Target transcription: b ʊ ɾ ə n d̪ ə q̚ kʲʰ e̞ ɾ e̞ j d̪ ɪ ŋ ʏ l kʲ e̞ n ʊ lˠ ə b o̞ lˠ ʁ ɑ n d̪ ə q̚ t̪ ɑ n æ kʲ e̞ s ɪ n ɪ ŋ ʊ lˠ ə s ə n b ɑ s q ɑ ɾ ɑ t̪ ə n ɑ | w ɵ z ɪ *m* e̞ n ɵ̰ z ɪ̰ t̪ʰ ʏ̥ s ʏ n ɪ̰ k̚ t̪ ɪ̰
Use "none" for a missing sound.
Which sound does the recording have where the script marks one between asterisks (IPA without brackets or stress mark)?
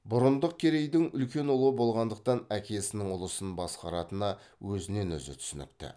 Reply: n